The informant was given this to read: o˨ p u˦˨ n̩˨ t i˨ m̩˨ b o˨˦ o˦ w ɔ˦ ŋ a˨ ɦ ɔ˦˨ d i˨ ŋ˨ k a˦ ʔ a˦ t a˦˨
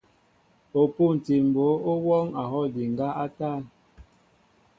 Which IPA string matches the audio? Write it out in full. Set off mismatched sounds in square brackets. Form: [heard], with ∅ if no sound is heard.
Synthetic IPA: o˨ p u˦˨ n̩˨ t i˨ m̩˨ b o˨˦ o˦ w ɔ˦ ŋ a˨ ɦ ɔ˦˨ d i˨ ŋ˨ [ɡ] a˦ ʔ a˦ t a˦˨